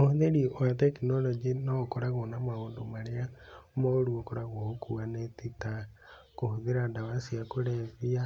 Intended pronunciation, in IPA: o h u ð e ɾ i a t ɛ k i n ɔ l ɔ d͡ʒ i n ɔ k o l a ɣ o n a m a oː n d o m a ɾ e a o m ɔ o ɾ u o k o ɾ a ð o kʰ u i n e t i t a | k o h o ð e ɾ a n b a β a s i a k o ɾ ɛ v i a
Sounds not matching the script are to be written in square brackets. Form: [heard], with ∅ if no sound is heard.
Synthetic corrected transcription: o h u ð e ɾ i a t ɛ k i n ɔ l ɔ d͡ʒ i n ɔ k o [ɾ] a ɣ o n a m a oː n d o m a ɾ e a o m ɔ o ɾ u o k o ɾ a [ɣ] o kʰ u [a] n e t i t a | k o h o ð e ɾ a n [d] a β a s i a k o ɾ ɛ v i a